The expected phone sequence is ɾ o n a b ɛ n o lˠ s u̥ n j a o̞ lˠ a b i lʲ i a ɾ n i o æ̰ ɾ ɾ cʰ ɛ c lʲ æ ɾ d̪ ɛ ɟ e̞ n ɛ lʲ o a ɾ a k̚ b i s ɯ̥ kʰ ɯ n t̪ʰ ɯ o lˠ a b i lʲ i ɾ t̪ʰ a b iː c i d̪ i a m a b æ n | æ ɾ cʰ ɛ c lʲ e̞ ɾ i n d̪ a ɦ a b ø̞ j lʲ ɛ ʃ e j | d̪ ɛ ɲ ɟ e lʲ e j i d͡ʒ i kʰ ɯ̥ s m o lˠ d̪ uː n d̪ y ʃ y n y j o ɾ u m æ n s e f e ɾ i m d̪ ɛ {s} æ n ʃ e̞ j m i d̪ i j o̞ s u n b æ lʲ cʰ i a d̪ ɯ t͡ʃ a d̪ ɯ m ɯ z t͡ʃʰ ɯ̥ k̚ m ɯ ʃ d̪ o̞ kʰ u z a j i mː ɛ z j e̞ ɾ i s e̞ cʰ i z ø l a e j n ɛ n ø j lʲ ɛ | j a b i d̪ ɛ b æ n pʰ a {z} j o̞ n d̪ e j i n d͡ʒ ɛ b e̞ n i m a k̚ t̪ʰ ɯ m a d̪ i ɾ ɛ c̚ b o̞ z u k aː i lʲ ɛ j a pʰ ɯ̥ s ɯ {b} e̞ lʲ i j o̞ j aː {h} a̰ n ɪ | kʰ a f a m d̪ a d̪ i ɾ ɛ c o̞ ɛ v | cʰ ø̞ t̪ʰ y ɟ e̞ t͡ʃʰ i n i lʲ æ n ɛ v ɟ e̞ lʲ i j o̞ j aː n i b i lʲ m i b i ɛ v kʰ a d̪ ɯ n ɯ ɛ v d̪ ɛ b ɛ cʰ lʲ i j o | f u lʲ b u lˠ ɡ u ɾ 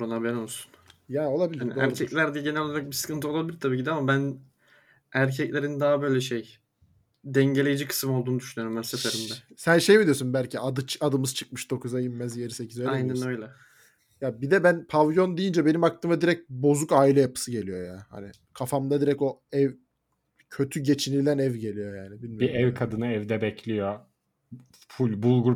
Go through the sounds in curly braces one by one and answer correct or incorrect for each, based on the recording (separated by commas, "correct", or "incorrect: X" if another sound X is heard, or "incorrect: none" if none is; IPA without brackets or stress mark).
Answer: correct, incorrect: v, incorrect: ɟ, correct